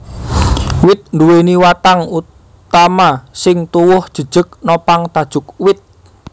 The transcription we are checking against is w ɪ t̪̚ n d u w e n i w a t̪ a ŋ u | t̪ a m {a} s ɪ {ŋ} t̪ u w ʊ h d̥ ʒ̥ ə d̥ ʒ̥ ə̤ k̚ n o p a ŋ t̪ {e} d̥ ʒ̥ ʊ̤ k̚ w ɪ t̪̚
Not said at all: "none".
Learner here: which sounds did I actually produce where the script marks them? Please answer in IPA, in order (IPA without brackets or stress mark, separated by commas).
a, ŋ, a